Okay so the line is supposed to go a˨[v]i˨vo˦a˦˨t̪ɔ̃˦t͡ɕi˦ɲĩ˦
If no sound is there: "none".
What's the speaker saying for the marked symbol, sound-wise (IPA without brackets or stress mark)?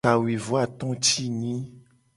w